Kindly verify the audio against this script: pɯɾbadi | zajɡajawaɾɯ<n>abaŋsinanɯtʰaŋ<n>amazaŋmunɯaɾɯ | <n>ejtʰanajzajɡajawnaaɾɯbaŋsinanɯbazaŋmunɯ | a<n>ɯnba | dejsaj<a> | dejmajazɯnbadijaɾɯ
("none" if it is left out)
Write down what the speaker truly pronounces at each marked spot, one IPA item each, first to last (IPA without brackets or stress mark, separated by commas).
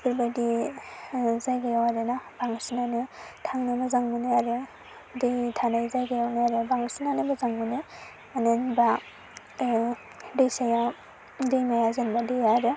n, n, d, n, a